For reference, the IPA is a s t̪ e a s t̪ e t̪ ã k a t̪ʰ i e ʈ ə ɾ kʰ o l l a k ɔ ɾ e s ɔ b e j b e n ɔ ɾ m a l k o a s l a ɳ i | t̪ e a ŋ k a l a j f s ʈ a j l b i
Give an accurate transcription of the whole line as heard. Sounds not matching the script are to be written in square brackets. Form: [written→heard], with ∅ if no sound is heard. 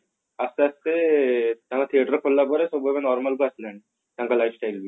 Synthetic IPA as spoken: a s t̪ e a s t̪ e t̪ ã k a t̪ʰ i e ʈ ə ɾ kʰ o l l a [k→p] ɔ ɾ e s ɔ b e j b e n ɔ ɾ m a l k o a s l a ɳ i | t̪ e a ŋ k a l a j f s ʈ a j l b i